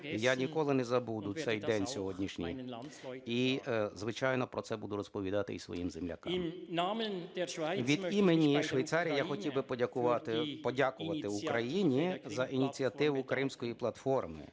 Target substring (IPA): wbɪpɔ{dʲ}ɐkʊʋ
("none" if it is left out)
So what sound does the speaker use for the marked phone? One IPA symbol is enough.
dʲ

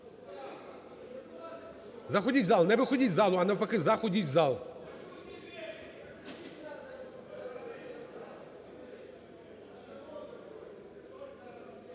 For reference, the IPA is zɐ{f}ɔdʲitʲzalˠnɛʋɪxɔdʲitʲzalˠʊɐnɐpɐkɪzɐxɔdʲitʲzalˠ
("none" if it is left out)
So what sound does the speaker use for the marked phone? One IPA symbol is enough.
x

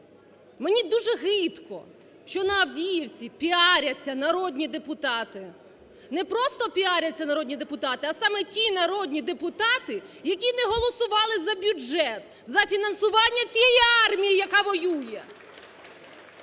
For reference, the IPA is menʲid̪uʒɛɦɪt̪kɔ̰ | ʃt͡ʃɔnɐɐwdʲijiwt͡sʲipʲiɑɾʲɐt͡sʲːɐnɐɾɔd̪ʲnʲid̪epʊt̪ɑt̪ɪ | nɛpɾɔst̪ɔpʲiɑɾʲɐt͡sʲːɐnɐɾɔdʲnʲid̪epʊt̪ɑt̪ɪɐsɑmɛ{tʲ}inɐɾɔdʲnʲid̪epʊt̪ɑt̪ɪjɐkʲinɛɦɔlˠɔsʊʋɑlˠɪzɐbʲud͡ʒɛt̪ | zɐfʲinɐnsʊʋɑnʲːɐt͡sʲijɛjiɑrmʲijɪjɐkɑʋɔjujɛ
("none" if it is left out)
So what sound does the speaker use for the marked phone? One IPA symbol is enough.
tʲ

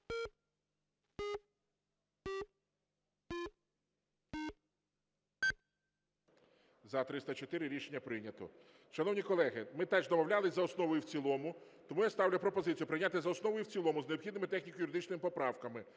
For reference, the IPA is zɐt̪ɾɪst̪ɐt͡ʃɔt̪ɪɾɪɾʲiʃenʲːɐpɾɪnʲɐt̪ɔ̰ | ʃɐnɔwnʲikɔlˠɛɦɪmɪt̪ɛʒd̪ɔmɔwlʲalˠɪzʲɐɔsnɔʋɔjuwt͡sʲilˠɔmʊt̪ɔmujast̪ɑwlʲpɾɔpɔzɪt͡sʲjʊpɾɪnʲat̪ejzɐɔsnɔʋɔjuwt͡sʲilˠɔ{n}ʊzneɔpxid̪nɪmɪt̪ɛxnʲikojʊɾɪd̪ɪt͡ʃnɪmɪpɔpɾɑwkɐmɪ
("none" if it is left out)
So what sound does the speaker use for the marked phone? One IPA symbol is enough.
m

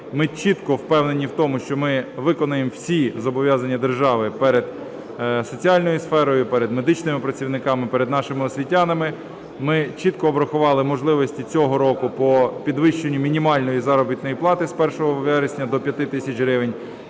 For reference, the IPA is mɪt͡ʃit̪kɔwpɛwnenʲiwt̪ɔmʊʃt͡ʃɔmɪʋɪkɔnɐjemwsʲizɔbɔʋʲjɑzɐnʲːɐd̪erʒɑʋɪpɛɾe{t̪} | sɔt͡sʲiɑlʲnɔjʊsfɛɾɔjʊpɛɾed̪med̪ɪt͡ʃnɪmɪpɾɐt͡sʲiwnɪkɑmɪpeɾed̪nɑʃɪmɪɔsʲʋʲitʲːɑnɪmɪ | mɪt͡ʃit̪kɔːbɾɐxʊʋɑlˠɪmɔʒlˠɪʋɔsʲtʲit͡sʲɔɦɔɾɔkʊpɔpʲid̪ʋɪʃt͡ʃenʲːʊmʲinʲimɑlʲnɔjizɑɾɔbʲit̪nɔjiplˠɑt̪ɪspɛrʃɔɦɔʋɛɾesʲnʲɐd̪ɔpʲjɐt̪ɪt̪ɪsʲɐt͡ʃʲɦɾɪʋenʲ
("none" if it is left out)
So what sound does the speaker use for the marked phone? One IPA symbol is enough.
d̪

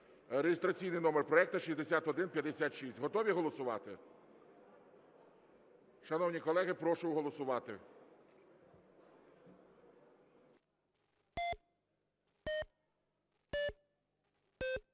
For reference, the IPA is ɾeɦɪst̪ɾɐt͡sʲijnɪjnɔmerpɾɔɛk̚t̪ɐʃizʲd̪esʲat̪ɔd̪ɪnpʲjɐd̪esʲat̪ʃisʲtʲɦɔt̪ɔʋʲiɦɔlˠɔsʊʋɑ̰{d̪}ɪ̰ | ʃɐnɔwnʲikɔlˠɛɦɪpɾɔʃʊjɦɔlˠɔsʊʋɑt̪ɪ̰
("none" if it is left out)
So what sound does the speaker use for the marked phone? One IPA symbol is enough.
t̪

